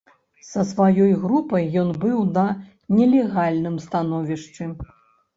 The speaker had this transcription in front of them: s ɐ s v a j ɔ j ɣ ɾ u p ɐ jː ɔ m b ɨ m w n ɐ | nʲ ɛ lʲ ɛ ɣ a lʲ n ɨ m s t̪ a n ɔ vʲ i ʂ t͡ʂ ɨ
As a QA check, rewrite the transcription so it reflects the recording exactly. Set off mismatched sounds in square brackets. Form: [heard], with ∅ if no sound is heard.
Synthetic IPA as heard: s ɐ s v a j ɔ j ɣ ɾ u p ɐ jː ɔ [n] b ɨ [∅] w n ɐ | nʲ ɛ lʲ ɛ ɣ a lʲ n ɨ m s t̪ a n ɔ vʲ i ʂ t͡ʂ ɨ